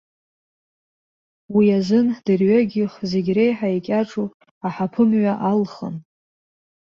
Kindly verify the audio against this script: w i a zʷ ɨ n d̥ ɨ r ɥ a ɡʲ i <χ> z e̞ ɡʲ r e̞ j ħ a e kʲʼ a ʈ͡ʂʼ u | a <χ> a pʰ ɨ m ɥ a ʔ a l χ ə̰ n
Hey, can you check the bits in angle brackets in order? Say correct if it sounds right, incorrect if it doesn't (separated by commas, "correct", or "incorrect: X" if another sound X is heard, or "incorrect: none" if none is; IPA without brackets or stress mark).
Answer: correct, incorrect: ħ